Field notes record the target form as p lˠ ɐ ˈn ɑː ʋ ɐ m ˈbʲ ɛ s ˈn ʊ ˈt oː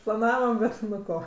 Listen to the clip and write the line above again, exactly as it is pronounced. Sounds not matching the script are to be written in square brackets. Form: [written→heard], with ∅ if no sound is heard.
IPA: p lˠ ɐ ˈn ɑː ʋ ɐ m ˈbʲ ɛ [s→t] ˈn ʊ [ˈt→ˈk] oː